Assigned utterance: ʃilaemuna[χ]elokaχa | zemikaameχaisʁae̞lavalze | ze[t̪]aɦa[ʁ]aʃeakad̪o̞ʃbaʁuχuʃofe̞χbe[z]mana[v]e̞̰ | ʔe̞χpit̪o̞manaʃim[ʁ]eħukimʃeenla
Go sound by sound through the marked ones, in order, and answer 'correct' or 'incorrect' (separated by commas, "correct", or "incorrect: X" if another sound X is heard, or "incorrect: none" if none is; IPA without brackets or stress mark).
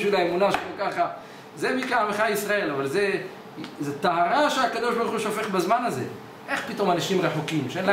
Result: incorrect: ʃ, correct, correct, correct, incorrect: z, correct